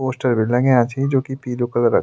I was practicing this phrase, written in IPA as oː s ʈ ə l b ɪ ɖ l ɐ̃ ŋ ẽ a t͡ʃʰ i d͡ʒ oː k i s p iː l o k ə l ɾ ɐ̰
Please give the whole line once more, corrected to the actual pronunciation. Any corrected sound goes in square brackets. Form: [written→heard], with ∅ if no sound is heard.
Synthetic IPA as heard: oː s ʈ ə [l→ɾ] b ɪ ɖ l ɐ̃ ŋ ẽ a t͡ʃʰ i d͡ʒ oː k i [s→∅] p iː l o k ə l ɾ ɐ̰